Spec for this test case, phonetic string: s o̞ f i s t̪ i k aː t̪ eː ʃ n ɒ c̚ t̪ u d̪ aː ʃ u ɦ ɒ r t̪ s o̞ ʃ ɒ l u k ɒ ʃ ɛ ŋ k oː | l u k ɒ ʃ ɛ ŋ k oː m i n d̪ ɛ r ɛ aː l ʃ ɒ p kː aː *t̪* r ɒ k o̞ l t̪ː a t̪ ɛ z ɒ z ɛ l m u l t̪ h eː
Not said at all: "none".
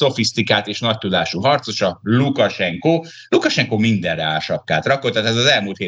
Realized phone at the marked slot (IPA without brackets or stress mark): t̪